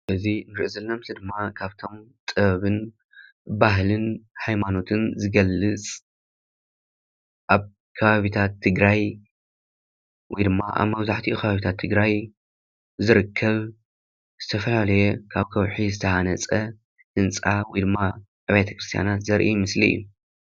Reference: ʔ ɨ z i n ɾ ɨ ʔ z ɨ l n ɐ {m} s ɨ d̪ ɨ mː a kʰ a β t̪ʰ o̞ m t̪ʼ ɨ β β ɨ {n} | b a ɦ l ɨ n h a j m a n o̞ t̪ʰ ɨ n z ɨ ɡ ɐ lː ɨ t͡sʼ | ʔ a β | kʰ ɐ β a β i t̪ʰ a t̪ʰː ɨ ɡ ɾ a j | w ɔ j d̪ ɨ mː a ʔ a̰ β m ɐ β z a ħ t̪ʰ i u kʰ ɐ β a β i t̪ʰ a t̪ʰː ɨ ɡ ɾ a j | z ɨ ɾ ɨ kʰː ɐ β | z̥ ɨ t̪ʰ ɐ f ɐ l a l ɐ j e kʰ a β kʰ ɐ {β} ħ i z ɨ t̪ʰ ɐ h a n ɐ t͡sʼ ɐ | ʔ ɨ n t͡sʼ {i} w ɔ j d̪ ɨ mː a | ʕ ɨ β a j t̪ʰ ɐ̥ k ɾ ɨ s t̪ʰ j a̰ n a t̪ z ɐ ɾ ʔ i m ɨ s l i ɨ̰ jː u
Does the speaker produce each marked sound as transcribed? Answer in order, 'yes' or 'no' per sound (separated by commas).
yes, yes, no, no